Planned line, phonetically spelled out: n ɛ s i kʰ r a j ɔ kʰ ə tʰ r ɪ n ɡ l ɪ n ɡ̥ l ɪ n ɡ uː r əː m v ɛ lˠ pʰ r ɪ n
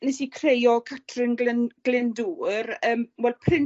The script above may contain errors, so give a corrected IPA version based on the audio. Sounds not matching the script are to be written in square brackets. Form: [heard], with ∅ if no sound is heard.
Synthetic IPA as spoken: n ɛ s i kʰ r [e] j ɔ kʰ [a] tʰ r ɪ n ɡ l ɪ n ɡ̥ l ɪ n [d] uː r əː m [w] ɛ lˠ pʰ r ɪ n